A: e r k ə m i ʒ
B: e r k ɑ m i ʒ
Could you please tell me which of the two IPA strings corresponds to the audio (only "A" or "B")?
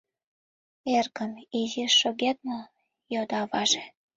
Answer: A